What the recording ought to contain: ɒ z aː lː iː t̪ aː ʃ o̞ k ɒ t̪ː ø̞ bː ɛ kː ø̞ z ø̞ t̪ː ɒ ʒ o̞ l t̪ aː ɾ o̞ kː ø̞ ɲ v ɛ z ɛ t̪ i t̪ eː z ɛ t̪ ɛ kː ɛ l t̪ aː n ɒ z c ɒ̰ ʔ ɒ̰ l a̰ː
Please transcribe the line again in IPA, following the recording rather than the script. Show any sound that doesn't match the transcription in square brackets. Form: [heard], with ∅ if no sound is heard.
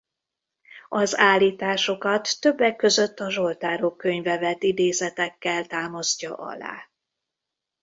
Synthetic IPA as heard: ɒ z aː lː iː t̪ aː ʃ o̞ k ɒ t̪ː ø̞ bː ɛ kː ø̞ z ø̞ t̪ː ɒ ʒ o̞ l t̪ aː ɾ o̞ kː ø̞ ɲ v ɛ [v] ɛ t̪ i [d̪] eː z ɛ t̪ ɛ kː ɛ l t̪ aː [m] ɒ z c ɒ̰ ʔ ɒ̰ l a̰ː